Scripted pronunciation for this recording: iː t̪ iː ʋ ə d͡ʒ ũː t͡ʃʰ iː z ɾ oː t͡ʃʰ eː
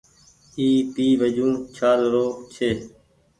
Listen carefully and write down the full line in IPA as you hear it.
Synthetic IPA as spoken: iː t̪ iː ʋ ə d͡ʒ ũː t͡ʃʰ aː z ɾ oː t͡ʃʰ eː